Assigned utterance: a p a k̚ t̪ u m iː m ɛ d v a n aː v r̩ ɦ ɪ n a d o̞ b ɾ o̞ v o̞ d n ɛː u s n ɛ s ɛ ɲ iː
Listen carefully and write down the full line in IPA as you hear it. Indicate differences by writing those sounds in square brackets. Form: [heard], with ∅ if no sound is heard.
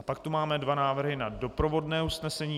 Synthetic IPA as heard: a p a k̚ t̪ u m [aː] m ɛ d v a n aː v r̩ ɦ ɪ n a d o̞ [p] ɾ o̞ v o̞ d n ɛː u s n ɛ s ɛ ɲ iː